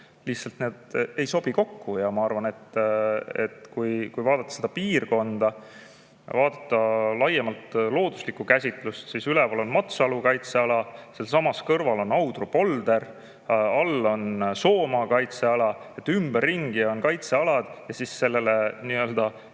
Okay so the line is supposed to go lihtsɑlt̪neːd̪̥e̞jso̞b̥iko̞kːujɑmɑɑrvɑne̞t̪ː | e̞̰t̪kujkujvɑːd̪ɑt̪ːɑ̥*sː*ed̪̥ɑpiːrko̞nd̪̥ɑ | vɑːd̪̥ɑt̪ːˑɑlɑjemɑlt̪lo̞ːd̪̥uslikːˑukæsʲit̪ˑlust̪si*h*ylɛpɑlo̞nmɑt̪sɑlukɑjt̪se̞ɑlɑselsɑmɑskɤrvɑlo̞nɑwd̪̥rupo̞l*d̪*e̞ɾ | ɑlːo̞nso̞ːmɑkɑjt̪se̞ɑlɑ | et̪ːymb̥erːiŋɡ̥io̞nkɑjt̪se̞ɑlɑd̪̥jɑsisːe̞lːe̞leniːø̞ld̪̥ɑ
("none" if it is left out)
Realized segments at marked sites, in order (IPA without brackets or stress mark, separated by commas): s, s, d̪